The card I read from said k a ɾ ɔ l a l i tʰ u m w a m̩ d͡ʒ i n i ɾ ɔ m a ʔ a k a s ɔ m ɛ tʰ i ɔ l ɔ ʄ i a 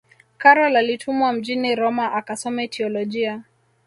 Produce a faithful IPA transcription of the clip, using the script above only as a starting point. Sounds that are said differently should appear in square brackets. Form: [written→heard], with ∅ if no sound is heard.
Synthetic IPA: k a ɾ ɔ l a l i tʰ u m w a m̩ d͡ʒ i n i ɾ ɔ m a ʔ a k a s ɔ m ɛ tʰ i ɔ l ɔ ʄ i a